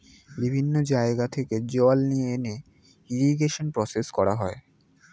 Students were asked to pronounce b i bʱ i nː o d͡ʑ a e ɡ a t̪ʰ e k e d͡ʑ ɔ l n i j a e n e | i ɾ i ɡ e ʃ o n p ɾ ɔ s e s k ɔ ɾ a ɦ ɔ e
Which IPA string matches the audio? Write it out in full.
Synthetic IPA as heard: b i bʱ i nː o d͡ʑ a e ɡ a t̪ʰ e k e d͡ʑ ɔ l n i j e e n e | i ɾ i ɡ e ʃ o n p ɾ ɔ s e s k ɔ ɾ a ɦ ɔ e